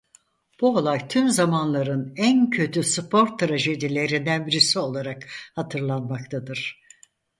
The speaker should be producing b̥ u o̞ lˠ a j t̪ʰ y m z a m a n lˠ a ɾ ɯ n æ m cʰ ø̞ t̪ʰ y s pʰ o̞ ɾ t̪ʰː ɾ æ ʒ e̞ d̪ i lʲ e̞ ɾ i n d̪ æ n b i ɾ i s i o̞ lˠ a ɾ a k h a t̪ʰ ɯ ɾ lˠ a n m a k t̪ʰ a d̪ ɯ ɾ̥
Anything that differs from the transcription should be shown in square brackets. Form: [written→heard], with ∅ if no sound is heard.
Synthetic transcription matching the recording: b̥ u o̞ lˠ a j t̪ʰ y m z a m a n lˠ a ɾ ɯ n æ [m→n] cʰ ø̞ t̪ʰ y s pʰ o̞ ɾ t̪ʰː ɾ [æ→a] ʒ e̞ d̪ i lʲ e̞ ɾ i n d̪ æ n b i ɾ i s i o̞ lˠ a ɾ a k h a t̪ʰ ɯ ɾ lˠ a n m a k t̪ʰ a d̪ ɯ ɾ̥